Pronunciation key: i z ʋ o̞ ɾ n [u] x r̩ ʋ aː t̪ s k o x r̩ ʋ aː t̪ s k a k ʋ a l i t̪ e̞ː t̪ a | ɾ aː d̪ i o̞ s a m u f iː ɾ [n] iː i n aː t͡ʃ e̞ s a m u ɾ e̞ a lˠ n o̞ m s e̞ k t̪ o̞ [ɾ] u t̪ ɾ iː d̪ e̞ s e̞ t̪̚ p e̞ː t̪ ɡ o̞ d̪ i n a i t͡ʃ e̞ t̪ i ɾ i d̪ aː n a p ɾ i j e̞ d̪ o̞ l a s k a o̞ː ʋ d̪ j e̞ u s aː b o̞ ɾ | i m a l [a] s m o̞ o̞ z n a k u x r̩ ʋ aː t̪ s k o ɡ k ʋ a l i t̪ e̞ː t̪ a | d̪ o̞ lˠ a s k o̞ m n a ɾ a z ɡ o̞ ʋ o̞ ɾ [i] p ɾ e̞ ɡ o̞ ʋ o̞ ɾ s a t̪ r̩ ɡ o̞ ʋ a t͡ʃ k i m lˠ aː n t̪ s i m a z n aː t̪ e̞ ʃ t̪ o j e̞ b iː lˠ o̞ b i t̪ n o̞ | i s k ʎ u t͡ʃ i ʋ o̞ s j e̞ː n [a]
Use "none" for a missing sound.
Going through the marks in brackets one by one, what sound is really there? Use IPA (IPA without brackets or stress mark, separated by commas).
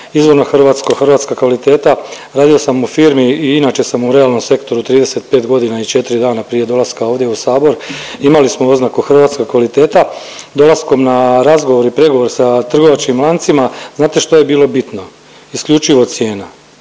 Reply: o, m, ɾ, i, i, a